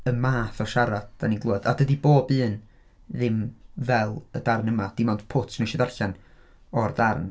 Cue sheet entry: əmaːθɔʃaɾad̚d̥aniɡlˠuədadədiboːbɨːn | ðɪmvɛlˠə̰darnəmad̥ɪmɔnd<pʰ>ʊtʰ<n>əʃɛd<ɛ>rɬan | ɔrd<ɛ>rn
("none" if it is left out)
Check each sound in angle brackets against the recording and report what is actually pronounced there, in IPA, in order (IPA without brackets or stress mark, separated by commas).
pʰ, n, a, a